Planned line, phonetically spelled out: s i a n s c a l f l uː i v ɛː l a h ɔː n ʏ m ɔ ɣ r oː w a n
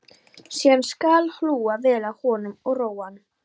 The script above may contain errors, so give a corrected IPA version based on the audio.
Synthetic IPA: s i a n s k a l h l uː a v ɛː l a h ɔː n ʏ m ɔ ɣ r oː w a n

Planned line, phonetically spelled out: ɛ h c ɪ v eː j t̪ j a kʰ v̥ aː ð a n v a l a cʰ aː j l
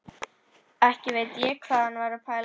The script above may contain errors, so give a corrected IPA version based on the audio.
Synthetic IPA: ɛ h c ɪ v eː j t̪ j ɛ kʰ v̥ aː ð a n v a ɾ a pʰ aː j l

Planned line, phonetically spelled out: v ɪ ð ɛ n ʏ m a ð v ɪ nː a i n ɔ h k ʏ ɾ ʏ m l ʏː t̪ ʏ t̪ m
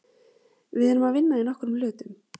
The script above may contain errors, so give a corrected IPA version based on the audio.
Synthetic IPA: v ɪ ð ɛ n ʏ m a ð v ɪ nː a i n ɔ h k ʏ ɾ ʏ m l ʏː t̪ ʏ m

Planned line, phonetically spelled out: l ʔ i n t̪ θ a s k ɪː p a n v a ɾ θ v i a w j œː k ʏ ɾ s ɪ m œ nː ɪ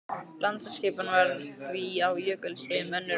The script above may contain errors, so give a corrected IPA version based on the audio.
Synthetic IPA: l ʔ a n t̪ s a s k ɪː p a n v a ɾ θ v i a w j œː k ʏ l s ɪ m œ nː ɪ

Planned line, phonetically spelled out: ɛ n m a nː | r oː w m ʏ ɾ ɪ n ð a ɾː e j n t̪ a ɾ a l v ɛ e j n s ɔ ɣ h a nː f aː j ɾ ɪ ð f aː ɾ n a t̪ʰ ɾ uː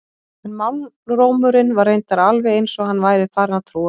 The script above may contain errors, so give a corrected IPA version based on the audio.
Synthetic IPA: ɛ n m a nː | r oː w m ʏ ɾ ɪ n v a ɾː e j n t̪ a ɾ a l v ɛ e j n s ɔ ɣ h a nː v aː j ɾ ɪ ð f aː ɾ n a t̪ʰ ɾ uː

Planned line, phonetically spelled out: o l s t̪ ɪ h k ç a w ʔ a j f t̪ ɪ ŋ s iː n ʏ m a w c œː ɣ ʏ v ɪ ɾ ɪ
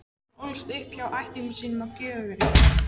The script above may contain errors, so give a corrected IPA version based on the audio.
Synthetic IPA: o l s t̪ ɪ h p ç a w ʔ a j h t̪ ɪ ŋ s iː n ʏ m a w c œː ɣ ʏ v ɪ ɾ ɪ

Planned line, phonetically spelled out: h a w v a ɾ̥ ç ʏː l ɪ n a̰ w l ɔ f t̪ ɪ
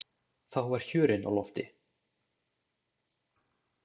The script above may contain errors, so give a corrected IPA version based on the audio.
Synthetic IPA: θ a w v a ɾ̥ ç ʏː ɾ ɪ n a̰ w l ɔ f t̪ ɪ

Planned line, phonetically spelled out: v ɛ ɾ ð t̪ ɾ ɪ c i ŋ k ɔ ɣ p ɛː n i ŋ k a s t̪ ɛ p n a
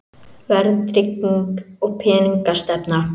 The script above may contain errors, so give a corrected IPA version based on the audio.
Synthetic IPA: v ɛ ɾ ð t̪ ɾ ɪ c i ŋ k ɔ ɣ pʰ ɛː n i ŋ k a s t̪ ɛ p n a

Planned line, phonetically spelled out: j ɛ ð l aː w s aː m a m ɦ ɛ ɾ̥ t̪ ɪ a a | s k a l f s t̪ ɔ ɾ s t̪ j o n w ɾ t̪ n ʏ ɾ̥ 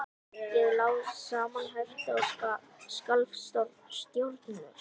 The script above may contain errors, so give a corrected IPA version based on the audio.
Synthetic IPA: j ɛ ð l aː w s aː m a n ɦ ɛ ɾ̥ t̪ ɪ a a | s k a l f s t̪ ɔ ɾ s t̪ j o w ɾ t̪ n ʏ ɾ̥

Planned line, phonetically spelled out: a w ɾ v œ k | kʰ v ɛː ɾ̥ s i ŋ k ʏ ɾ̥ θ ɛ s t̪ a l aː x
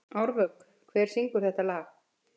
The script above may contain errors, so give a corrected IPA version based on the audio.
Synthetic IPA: a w ɾ v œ k | kʰ v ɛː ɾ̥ s i ŋ k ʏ ɾ̥ θ ɛ h t̪ a l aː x

